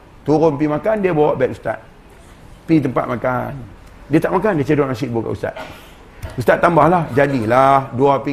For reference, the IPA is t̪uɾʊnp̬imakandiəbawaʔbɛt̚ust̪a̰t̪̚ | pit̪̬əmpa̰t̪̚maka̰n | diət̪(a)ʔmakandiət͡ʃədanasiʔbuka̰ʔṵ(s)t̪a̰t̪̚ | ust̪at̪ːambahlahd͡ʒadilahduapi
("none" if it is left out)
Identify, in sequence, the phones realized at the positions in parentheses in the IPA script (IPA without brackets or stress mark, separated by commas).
a, s